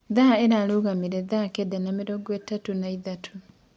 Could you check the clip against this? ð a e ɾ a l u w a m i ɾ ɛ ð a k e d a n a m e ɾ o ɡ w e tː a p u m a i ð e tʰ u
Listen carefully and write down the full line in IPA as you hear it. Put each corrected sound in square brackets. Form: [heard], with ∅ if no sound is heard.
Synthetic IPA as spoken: ð a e ɾ a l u [ɣ] a m i ɾ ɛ ð a k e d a n a m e ɾ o ɡ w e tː a [t] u [n] a i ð [a] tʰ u